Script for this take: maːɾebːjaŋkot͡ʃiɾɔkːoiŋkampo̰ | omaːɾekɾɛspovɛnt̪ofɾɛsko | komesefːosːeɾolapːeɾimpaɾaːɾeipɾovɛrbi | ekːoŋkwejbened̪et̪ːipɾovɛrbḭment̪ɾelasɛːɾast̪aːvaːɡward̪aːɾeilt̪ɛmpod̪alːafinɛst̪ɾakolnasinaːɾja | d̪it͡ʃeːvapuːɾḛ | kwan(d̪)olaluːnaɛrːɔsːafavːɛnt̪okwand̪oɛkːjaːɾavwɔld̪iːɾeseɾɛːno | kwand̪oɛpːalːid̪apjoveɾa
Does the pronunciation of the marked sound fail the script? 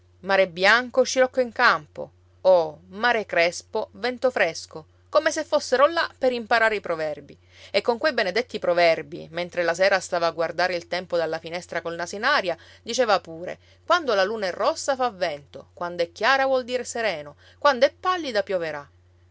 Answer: no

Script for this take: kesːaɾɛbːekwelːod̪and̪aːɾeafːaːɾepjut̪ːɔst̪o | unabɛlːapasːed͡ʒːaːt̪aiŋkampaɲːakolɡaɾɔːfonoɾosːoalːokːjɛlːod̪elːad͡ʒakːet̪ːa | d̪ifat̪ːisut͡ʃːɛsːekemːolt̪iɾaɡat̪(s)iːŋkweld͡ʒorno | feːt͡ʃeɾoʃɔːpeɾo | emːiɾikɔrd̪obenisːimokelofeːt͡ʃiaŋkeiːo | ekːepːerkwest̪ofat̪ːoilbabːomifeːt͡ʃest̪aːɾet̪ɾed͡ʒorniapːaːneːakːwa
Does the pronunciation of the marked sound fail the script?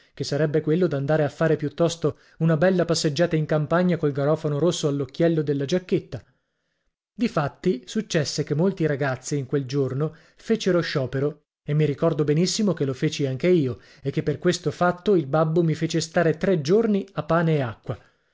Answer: yes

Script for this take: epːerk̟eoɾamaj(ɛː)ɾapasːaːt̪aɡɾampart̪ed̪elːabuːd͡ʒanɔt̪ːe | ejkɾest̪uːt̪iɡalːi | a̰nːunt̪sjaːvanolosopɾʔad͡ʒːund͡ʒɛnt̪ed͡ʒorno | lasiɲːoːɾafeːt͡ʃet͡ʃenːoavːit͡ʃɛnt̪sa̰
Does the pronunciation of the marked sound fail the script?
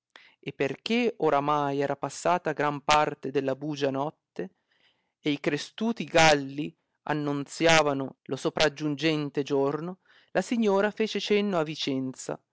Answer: no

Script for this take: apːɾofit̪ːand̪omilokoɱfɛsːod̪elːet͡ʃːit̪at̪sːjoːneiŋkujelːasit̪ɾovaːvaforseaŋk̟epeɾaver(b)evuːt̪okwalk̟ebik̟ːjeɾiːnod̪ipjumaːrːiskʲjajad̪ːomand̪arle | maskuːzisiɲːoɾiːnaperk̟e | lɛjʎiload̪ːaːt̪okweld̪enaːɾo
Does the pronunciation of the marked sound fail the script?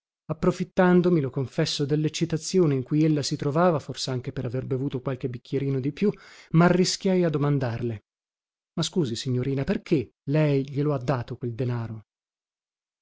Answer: no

